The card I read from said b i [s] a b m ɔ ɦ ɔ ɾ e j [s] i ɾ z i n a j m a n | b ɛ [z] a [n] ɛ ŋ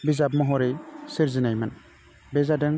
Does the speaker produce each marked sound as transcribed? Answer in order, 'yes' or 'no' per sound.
no, yes, yes, no

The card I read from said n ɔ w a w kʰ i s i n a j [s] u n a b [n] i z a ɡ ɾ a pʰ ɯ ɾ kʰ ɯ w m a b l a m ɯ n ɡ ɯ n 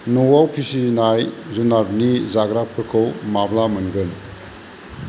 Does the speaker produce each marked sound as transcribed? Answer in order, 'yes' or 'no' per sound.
no, yes

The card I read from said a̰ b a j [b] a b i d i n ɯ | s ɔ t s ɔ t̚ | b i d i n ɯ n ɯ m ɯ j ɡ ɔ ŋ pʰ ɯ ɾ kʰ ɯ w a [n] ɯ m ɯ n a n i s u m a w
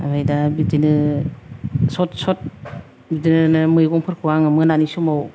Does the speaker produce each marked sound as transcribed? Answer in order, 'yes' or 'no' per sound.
no, no

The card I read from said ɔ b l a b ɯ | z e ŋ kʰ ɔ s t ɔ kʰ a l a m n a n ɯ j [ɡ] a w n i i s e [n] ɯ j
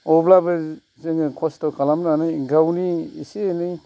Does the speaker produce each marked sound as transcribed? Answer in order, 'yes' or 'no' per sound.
yes, yes

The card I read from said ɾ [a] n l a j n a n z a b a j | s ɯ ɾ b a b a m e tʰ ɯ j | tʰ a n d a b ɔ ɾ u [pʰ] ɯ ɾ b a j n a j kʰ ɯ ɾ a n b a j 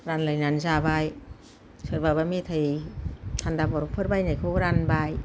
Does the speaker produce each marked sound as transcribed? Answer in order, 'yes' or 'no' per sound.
yes, yes

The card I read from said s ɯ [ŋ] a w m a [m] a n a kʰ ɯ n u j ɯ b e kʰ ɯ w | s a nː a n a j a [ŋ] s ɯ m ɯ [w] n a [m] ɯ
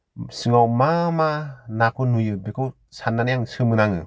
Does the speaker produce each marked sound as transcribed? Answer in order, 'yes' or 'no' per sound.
yes, yes, yes, no, no

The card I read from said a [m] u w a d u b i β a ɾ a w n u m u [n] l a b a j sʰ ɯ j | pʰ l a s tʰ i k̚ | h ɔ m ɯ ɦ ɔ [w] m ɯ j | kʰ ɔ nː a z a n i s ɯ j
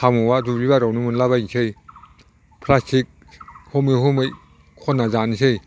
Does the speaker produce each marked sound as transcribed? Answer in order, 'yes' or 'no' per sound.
yes, yes, no

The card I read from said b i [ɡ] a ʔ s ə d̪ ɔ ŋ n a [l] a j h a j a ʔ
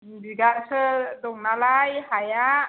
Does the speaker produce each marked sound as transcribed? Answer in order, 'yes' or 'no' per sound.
yes, yes

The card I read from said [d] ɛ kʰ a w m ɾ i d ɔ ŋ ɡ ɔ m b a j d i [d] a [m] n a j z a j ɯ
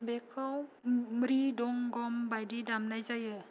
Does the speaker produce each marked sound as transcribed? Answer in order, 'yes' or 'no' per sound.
no, yes, yes

